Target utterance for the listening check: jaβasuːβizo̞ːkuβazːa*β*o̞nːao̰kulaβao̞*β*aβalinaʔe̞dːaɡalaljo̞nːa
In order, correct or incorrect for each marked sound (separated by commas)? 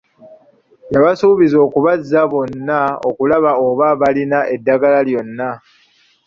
correct, correct